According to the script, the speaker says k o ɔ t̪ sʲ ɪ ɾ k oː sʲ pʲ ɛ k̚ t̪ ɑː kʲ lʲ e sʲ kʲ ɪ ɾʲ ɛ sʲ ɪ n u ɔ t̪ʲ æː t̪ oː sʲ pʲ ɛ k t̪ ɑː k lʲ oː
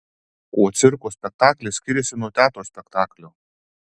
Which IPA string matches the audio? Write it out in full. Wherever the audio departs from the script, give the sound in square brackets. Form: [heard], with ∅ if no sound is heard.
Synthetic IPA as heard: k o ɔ t̪ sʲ ɪ ɾ k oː sʲ pʲ ɛ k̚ t̪ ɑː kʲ lʲ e sʲ kʲ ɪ ɾʲ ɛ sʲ ɪ n u ɔ t̪ʲ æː t̪ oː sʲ pʲ ɛ k t̪ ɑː k lʲ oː